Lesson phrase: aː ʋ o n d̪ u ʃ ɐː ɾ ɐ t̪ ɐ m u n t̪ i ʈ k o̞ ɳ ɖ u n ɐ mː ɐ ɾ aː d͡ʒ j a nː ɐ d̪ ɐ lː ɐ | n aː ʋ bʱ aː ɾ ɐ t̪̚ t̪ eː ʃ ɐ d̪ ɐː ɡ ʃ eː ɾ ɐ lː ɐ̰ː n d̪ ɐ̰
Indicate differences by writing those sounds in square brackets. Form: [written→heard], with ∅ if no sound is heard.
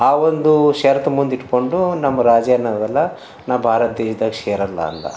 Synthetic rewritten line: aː ʋ o n d̪ u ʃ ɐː ɾ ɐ t̪ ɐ m u n [t̪→d̪] i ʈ k o̞ ɳ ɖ u n ɐ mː ɐ ɾ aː d͡ʒ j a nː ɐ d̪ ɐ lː ɐ | n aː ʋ bʱ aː ɾ ɐ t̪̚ [t̪→d̪] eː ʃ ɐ d̪ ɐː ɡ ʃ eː ɾ ɐ lː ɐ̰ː n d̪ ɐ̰